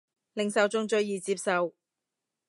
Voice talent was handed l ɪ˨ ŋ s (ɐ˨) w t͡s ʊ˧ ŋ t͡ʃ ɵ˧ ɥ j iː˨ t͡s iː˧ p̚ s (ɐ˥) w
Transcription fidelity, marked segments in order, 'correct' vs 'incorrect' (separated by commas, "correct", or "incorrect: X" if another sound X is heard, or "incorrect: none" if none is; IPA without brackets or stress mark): correct, incorrect: ɐ˨